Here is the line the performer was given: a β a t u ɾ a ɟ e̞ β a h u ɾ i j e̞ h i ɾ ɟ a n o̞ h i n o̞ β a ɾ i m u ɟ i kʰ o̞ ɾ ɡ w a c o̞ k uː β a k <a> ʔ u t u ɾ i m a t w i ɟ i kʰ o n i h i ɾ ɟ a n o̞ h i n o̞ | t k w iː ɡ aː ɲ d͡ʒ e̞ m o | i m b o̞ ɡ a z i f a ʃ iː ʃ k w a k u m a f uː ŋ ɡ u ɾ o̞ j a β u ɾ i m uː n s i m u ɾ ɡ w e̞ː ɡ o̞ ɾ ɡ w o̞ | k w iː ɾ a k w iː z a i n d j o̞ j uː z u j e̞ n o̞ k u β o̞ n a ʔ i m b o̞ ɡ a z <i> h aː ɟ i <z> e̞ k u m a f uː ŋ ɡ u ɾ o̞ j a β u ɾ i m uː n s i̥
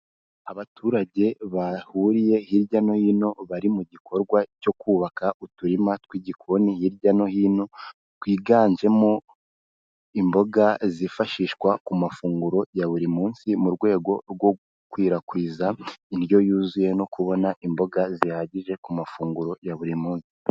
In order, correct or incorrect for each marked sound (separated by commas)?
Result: correct, correct, incorrect